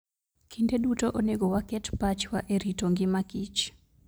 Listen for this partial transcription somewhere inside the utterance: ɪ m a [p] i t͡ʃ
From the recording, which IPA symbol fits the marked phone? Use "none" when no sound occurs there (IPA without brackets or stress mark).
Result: k